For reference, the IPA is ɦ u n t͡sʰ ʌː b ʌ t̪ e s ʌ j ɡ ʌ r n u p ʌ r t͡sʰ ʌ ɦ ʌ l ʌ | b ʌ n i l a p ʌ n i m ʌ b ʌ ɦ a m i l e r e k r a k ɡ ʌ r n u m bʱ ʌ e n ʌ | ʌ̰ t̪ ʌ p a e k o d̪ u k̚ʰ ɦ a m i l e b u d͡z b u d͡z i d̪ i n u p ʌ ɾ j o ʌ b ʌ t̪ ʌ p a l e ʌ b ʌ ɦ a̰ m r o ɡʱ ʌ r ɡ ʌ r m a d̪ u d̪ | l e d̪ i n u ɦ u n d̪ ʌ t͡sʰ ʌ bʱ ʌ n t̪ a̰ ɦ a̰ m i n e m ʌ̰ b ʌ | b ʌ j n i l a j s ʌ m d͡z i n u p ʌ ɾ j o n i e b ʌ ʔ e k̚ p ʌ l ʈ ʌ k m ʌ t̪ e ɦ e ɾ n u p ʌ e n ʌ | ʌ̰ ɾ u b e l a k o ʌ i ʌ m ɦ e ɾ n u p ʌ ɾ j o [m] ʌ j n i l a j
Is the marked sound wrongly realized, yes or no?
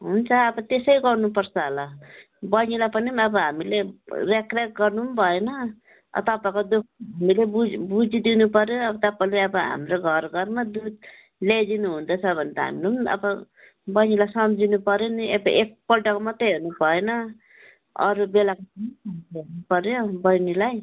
yes